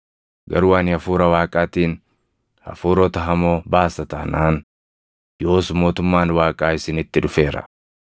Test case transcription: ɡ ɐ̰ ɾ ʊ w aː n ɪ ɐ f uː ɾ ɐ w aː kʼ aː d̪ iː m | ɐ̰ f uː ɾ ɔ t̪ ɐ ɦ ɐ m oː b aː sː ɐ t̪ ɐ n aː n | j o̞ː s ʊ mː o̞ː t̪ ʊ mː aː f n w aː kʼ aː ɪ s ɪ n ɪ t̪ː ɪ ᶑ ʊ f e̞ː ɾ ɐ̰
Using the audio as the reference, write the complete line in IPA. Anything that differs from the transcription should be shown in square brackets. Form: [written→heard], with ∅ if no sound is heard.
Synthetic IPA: ɡ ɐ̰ ɾ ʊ w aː n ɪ ɐ f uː ɾ ɐ w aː kʼ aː [d̪→t̪] iː [m→n] | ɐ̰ f uː ɾ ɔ t̪ ɐ ɦ ɐ m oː b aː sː ɐ t̪ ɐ n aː n | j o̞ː s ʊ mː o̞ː t̪ ʊ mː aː [f→∅] n w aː kʼ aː ɪ s ɪ n ɪ t̪ː ɪ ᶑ ʊ f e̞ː ɾ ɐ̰